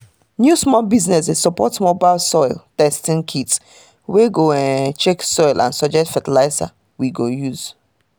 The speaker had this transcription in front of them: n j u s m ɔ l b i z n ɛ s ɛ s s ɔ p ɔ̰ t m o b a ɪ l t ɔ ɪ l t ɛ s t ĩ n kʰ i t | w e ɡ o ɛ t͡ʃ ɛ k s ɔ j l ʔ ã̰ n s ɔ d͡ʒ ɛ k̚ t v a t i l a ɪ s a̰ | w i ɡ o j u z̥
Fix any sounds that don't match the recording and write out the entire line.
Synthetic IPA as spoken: n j u s m ɔ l b i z n ɛ s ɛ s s ɔ p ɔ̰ t m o b a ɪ l s ɔ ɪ l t ɛ s t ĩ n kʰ i t | w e ɡ o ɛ t͡ʃ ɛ k s ɔ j l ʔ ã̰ n s ɔ d͡ʒ ɛ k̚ t f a t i l a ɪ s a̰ | w i ɡ o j u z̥